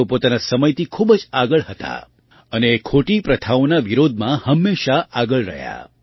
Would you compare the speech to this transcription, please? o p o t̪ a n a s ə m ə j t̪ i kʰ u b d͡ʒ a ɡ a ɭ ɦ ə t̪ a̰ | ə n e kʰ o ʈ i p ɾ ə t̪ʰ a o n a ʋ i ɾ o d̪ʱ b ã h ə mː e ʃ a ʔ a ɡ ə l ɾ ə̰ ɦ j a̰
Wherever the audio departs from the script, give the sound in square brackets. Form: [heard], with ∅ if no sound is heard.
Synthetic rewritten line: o p o t̪ a n a s ə m ə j t̪ i kʰ u b d͡ʒ a ɡ [ə] ɭ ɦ ə t̪ a̰ | ə n e kʰ o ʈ i p ɾ ə t̪ʰ a o n a ʋ i ɾ o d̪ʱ [m] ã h ə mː e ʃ a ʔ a ɡ ə [ɭ] ɾ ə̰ ɦ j a̰